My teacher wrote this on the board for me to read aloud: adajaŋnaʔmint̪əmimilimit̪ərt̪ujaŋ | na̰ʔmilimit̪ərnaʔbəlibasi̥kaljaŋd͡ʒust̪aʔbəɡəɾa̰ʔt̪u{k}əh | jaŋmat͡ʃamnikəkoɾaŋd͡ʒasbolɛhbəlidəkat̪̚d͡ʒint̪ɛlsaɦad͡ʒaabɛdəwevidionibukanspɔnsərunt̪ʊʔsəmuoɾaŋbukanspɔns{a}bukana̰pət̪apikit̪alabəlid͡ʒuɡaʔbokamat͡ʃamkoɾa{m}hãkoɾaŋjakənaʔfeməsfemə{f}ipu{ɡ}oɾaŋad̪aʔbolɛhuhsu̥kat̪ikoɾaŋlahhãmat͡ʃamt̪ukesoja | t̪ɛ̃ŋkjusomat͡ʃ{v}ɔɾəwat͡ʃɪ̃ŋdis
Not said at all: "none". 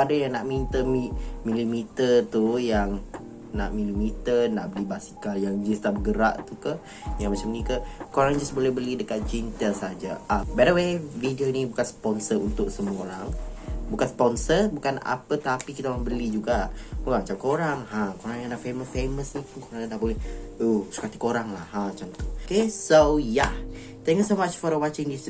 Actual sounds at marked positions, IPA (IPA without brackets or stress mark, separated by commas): k, ə, ŋ, s, k, f